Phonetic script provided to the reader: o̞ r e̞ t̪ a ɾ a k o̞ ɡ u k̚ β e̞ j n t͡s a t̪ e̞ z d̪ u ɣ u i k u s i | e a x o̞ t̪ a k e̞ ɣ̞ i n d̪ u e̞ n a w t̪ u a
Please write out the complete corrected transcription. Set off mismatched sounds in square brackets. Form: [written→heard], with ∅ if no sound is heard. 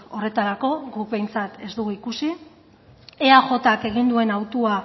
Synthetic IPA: o̞ r e̞ t̪ a ɾ a k o̞ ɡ u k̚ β e̞ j n t͡s a t̪ e̞ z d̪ u ɣ u i k u s i | e a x o̞ t̪ a k e̞ ɣ̞ i n d̪ u e̞ n a w t̪ u a